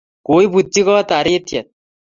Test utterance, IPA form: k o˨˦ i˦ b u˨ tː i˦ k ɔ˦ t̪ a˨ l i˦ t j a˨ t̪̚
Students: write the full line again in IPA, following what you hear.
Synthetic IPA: k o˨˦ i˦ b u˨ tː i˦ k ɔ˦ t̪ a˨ ɾ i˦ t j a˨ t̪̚